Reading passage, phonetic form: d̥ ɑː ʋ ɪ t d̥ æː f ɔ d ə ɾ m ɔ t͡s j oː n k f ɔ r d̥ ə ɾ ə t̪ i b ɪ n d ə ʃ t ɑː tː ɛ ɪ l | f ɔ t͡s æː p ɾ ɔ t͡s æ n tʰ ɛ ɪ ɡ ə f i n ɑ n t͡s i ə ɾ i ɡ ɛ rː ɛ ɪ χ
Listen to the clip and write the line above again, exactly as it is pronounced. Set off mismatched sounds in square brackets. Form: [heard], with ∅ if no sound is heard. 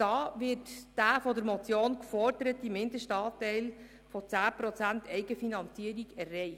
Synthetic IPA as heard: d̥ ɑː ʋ ɪ t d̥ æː f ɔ d ə ɾ m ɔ t͡s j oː n k f ɔ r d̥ ə ɾ ə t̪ i [m] ɪ n d ə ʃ t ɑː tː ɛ ɪ l | f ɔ t͡s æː p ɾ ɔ t͡s æ n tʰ ɛ ɪ ɡ ə f i n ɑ n t͡s i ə ɾ i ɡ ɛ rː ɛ ɪ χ